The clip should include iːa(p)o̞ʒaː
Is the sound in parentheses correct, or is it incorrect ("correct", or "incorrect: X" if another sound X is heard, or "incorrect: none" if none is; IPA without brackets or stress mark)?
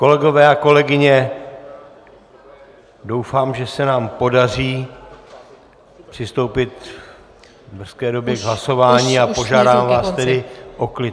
correct